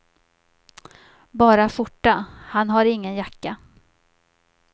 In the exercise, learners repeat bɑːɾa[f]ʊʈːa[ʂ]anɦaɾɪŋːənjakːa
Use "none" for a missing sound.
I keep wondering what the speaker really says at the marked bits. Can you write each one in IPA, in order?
f, h

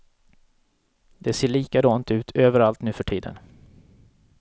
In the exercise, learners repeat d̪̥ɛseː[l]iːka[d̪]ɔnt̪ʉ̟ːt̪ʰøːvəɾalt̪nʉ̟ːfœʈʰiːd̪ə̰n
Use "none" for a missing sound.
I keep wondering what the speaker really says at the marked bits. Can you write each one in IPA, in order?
ɭ, d̪

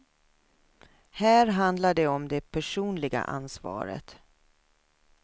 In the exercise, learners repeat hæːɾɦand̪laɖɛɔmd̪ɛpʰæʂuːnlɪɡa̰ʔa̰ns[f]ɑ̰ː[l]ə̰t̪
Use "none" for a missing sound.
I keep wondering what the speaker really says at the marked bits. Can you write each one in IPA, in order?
v, ɾ

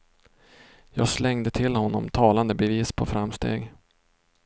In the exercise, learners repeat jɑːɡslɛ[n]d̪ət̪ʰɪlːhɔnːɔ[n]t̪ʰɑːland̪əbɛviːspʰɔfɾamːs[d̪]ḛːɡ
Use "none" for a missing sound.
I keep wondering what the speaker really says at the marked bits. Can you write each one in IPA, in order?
ŋ, m, t̪

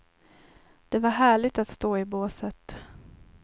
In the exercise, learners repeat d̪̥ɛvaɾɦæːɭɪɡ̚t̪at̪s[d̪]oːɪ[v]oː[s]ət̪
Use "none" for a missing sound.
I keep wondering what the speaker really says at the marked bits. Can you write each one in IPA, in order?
t̪, b, s

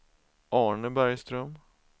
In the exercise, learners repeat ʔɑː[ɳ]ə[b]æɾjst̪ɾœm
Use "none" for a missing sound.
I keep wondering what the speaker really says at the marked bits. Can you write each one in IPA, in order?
ɳ, b

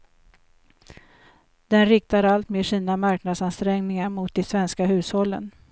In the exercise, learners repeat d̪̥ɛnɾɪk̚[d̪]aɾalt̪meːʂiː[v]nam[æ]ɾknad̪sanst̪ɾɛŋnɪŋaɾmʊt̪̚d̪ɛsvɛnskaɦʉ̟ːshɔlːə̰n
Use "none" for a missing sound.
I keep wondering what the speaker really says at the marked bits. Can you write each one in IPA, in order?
t̪, none, a

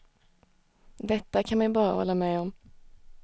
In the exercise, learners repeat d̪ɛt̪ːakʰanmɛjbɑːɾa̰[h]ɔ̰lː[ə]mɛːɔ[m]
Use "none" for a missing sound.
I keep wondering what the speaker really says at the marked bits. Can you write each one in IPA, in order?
h, a, m

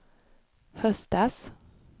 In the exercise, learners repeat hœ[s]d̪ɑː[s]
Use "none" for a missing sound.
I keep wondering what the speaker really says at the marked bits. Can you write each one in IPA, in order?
s, s

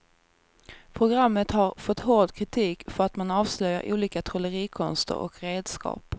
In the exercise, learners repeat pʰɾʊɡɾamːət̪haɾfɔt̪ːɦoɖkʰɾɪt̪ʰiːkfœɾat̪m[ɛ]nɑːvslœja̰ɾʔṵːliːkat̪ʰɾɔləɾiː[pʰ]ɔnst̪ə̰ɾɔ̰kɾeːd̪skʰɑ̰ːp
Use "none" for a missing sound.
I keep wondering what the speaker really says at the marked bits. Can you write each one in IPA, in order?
a, kʰ

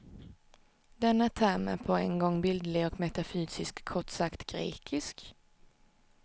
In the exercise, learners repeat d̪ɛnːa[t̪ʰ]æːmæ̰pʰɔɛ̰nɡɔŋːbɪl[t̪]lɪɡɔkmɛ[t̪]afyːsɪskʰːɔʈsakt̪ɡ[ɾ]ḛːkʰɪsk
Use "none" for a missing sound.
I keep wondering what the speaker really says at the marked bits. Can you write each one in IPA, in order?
t̪ʰ, d̪, t̪, ɾ

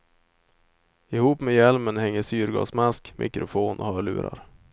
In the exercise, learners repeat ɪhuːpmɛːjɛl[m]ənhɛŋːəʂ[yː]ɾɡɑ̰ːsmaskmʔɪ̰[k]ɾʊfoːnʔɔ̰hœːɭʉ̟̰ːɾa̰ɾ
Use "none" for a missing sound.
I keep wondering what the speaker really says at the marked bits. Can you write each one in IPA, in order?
m, yː, k

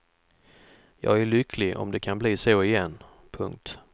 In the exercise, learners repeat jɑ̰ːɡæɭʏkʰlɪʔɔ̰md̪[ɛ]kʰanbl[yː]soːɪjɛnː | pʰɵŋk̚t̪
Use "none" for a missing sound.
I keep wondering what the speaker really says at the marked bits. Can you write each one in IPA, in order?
ɛ, iː

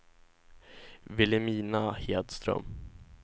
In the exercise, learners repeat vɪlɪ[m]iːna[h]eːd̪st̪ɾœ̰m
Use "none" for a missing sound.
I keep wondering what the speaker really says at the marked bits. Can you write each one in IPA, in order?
m, h

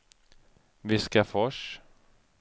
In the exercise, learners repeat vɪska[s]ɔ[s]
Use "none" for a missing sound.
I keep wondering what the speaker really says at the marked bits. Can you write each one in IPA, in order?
f, ʂ

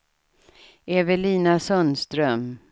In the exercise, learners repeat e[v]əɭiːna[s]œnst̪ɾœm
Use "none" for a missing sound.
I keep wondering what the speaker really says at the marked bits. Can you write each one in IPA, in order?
v, s

